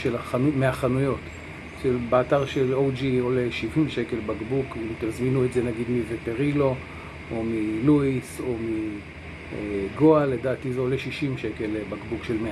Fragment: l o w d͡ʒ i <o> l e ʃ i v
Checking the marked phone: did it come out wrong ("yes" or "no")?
no